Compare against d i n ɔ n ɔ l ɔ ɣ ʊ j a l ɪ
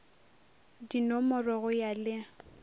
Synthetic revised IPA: d i n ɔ m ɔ r ɔ ɣ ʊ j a l ɪ